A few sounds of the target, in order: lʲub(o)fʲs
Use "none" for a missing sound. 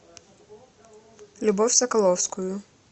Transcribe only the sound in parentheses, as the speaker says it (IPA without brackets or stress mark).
ɔ